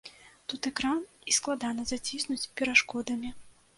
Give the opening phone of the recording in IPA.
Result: t̪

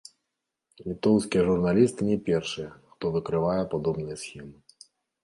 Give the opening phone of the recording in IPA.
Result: lʲ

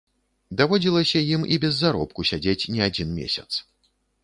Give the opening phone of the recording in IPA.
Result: d̪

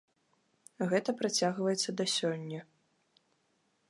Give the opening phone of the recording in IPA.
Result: ɣ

